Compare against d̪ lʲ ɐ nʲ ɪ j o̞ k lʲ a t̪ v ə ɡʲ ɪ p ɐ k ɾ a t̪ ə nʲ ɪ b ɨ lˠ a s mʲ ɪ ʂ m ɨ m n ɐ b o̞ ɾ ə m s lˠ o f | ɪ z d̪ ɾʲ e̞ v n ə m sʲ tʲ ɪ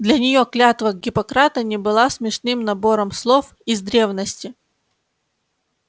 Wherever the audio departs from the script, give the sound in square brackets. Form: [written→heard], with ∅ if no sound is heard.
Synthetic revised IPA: d̪ lʲ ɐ nʲ ɪ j o̞ k lʲ a t̪ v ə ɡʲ ɪ p ɐ k ɾ a t̪ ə nʲ ɪ b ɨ lˠ a s mʲ ɪ ʂ [m→n] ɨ m n ɐ b o̞ ɾ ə m s lˠ o f | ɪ z d̪ ɾʲ e̞ v n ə [m→∅] sʲ tʲ ɪ

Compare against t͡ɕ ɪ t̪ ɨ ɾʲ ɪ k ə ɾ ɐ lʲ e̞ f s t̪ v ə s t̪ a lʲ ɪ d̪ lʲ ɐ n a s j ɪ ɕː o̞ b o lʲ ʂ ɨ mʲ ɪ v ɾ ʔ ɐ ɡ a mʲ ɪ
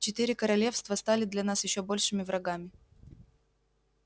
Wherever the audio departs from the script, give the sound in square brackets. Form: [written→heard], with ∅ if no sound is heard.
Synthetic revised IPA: t͡ɕ ɪ t̪ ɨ ɾʲ ɪ k ə ɾ ɐ lʲ e̞ f s t̪ v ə s t̪ a lʲ ɪ d̪ lʲ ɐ n a s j ɪ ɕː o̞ b o lʲ ʂ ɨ mʲ ɪ v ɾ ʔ ɐ ɡ a mʲ ɪ

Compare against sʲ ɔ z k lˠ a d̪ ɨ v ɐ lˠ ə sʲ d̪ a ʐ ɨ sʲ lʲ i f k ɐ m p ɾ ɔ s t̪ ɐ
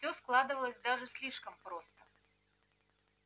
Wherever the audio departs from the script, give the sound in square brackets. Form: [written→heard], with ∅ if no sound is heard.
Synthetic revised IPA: sʲ ɔ [z→s] k lˠ a d̪ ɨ v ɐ lˠ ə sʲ d̪ a ʐ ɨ sʲ lʲ i [f→ʂ] k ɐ m p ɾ ɔ s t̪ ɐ

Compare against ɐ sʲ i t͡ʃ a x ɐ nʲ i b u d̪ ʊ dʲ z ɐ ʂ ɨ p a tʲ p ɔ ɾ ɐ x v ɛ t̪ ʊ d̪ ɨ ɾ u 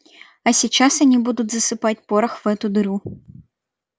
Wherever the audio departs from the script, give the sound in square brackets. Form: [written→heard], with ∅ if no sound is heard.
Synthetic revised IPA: ɐ sʲ i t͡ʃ a [x→s] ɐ nʲ i b u d̪ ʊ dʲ z ɐ [ʂ→s] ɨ p a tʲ p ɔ ɾ ɐ x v ɛ t̪ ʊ d̪ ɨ ɾ u

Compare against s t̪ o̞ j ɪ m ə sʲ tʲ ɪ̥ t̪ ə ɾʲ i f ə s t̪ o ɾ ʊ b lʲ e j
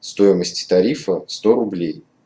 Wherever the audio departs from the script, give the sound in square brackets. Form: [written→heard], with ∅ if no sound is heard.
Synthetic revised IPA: s t̪ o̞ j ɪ m ə sʲ tʲ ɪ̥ t̪ [ə→ɐ] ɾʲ i f ə s t̪ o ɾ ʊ b lʲ e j

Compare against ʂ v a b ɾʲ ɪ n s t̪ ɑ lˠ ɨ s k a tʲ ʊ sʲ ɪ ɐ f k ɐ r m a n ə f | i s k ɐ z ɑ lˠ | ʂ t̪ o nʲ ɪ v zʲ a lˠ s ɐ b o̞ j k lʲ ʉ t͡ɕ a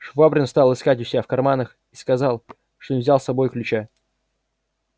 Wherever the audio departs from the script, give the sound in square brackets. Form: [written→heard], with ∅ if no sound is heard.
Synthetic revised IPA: ʂ v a b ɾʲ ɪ n s t̪ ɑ lˠ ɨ s k a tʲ ʊ sʲ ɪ [ɐ→a] f k ɐ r m a n ə [f→x] | i s k ɐ z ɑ lˠ | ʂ t̪ o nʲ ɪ v zʲ a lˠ s ɐ b o̞ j k lʲ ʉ t͡ɕ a

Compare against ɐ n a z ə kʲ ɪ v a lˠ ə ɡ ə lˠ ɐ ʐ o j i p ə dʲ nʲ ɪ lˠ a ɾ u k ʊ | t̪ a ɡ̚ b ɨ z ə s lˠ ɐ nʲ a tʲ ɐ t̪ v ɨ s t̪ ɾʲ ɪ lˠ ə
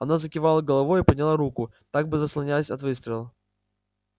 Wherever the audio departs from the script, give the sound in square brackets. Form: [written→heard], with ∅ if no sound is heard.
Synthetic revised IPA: ɐ n a z ə kʲ ɪ v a lˠ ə ɡ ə lˠ ɐ [ʐ→v] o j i p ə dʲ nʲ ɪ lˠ a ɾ u k ʊ | t̪ a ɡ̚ b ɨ z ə s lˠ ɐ nʲ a [tʲ→sʲ] ɐ t̪ v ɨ s t̪ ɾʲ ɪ lˠ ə

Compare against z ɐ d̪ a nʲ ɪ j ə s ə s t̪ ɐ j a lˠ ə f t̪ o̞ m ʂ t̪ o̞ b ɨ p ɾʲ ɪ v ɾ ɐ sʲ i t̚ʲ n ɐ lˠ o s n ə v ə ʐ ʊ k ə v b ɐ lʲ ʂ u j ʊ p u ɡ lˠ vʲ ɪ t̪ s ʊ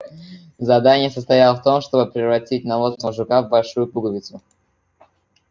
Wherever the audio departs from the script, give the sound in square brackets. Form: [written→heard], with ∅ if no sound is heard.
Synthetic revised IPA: z ɐ d̪ a nʲ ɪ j ə s ə s t̪ ɐ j a lˠ ə f t̪ o̞ m ʂ t̪ o̞ b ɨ p ɾʲ ɪ v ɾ ɐ [sʲ→tʲ] i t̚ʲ n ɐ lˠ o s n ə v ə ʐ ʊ k [ə→a] v b ɐ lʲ ʂ u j ʊ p u ɡ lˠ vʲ ɪ t̪ s ʊ

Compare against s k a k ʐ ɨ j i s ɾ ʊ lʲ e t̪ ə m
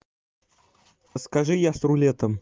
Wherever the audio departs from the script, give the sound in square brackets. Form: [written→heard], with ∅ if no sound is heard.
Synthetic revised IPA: s k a [k→∅] ʐ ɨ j [i→a] s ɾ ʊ lʲ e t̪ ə m

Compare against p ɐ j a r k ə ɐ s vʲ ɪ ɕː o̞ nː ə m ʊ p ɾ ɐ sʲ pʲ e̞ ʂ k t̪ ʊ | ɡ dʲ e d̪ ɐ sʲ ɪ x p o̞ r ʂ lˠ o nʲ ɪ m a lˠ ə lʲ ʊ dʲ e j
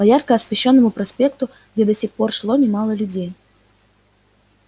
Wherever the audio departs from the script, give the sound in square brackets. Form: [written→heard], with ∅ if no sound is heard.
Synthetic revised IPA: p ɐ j a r k ə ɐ s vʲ ɪ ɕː o̞ nː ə m ʊ p ɾ ɐ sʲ pʲ e̞ [ʂ→∅] k t̪ ʊ | ɡ dʲ e d̪ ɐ sʲ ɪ x p o̞ r ʂ lˠ o nʲ ɪ m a lˠ ə lʲ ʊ dʲ e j

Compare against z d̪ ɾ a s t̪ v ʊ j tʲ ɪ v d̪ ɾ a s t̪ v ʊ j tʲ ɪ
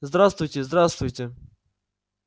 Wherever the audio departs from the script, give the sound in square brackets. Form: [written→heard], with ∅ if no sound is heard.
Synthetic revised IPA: z d̪ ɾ a s t̪ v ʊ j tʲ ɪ [v→z] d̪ ɾ a s t̪ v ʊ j tʲ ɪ

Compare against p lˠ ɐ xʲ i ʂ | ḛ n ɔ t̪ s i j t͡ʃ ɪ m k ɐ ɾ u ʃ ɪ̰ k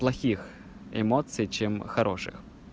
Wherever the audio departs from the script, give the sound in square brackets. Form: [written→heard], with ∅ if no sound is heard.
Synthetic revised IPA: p lˠ ɐ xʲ i [ʂ→x] | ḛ [n→m] ɔ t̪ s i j t͡ʃ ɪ m [k→x] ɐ ɾ [u→ɔ] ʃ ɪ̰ [k→x]

